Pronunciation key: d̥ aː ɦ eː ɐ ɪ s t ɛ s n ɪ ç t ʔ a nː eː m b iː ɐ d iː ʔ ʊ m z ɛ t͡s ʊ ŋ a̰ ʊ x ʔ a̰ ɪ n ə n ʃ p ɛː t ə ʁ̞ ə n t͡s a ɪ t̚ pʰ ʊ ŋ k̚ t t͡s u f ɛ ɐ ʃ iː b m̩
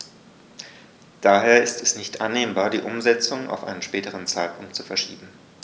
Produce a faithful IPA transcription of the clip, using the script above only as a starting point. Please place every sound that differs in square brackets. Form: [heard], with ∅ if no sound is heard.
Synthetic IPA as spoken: d̥ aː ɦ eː ɐ ɪ s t ɛ s n ɪ ç t ʔ a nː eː m b [aː] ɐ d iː ʔ ʊ m z ɛ t͡s ʊ ŋ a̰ ʊ [f] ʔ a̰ ɪ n ə n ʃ p ɛː t ə ʁ̞ ə n t͡s a ɪ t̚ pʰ ʊ ŋ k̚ t t͡s u f ɛ ɐ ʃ iː b m̩

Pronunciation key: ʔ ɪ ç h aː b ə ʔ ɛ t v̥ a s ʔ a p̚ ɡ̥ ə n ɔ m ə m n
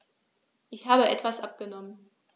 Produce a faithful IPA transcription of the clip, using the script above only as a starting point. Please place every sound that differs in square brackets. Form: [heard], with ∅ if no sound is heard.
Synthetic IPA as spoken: ʔ ɪ ç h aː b ə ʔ ɛ t v̥ a s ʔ a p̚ ɡ̥ ə n ɔ m ə [∅] n

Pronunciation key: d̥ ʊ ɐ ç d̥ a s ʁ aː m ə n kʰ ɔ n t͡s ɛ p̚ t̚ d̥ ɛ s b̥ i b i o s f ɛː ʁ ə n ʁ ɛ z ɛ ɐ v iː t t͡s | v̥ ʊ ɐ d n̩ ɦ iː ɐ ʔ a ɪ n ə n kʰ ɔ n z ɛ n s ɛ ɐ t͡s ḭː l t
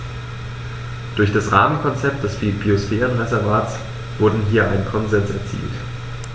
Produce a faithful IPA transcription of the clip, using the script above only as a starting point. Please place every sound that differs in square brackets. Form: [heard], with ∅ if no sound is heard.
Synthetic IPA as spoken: d̥ ʊ ɐ ç d̥ a s ʁ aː m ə n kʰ ɔ n t͡s ɛ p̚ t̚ d̥ ɛ s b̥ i b i o s f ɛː ʁ ə n ʁ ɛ z ɛ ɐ v [aː] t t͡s | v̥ ʊ ɐ d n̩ ɦ iː ɐ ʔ a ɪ n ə n kʰ ɔ n z ɛ n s ɛ ɐ t͡s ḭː l t

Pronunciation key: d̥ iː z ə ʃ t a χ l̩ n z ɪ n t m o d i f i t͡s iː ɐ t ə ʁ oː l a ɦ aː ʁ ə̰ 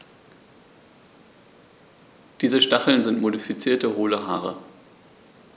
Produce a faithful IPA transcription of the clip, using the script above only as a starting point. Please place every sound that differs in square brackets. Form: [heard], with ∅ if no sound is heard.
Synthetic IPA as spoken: d̥ iː z ə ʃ t a χ l̩ n z ɪ n t m o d i f i t͡s iː ɐ t ə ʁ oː l [ə] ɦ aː ʁ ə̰

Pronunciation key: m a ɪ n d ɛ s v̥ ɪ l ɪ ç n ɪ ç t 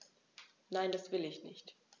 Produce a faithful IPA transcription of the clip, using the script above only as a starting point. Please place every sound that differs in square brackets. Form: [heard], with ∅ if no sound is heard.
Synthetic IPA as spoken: [n] a ɪ n d [a] s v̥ ɪ l ɪ ç n ɪ ç t

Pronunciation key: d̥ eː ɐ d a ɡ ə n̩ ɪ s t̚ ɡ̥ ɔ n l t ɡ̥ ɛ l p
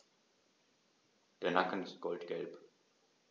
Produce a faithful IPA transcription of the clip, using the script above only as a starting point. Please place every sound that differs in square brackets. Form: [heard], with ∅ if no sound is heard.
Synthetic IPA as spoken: d̥ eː ɐ [n] a [k] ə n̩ ɪ s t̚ ɡ̥ ɔ [∅] l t ɡ̥ ɛ l p

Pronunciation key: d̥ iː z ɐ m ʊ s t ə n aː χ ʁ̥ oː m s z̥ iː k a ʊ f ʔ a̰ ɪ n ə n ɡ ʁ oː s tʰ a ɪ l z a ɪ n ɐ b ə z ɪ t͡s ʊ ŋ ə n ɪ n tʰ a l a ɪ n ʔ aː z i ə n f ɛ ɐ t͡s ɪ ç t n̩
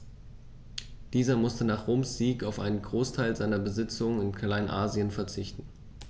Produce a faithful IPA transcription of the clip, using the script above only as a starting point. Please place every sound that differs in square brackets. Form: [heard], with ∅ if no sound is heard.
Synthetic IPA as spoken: d̥ iː z ɐ m ʊ s t ə n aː χ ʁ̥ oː m s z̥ iː k a ʊ f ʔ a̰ ɪ n ə n ɡ ʁ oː s tʰ a ɪ l z a ɪ n ɐ b ə z ɪ t͡s ʊ ŋ ə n ɪ n [kʰ] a l a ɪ n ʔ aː z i ə n f ɛ ɐ t͡s ɪ ç t n̩

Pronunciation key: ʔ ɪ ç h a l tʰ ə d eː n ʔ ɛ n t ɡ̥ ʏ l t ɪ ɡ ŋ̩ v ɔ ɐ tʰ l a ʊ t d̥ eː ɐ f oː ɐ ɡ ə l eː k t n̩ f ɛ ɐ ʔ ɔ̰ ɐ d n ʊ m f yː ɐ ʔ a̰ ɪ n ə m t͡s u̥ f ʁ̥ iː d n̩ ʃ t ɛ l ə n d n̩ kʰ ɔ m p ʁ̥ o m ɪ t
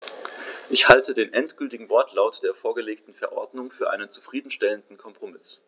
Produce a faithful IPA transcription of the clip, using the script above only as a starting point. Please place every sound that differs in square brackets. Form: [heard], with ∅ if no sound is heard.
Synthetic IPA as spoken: ʔ ɪ ç h a l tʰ ə d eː n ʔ ɛ n t ɡ̥ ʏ l t ɪ ɡ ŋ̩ v ɔ ɐ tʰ l a ʊ t d̥ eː ɐ f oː ɐ ɡ ə l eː k t n̩ f ɛ ɐ ʔ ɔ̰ ɐ d n ʊ [ŋ] f yː ɐ ʔ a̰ ɪ n ə [n] t͡s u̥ f ʁ̥ iː d n̩ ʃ t ɛ l ə n d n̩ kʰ ɔ m p ʁ̥ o m ɪ [s]

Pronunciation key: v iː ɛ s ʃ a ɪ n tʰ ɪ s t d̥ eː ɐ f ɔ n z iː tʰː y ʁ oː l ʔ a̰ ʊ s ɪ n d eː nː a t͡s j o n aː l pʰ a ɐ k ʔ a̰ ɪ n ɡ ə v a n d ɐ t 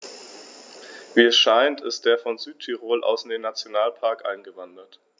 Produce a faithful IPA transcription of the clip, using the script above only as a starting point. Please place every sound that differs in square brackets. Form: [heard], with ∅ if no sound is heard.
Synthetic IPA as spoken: v iː ɛ s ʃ a ɪ n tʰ ɪ s t d̥ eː ɐ f ɔ n z [yː] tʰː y ʁ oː l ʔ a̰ ʊ s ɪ n d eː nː a t͡s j o n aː l pʰ a ɐ k ʔ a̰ ɪ n ɡ ə v a n d ɐ t

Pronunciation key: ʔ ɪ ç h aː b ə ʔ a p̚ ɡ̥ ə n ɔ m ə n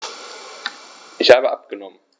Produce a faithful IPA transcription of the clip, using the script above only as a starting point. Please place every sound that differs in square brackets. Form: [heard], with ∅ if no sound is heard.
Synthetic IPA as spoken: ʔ ɪ ç h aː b ə ʔ a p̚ ɡ̥ ə n ɔ m ə n

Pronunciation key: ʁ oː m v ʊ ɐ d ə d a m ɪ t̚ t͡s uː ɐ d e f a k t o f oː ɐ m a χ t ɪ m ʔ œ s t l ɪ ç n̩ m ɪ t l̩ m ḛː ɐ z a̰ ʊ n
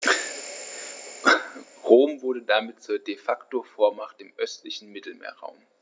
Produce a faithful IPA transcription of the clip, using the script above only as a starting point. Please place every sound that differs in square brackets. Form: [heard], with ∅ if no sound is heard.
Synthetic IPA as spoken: ʁ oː m v ʊ ɐ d ə d a m ɪ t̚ t͡s uː ɐ d e f a k t o f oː ɐ m a χ t ɪ m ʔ œ s t l ɪ ç n̩ m ɪ t l̩ m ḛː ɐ [ʁ] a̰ ʊ [m]

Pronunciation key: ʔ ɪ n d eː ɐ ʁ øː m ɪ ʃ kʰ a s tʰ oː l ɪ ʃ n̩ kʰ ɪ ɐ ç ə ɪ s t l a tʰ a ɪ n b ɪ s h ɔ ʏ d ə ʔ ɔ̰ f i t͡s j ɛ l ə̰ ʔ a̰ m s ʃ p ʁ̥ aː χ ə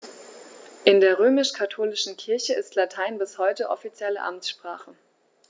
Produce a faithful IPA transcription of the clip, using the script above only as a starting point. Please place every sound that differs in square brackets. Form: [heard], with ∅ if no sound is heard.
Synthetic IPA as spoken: ʔ ɪ n d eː ɐ ʁ øː m ɪ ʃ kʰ a [∅] tʰ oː l ɪ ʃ n̩ kʰ ɪ ɐ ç ə ɪ s t l a tʰ a ɪ n b ɪ s h ɔ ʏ [t] ə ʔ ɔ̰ f i t͡s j ɛ l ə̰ ʔ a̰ m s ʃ p ʁ̥ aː χ ə

